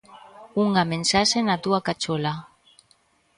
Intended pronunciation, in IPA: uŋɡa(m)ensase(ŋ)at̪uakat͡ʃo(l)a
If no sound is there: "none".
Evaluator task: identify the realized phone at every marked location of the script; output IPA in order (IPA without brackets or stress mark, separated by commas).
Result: m, n, l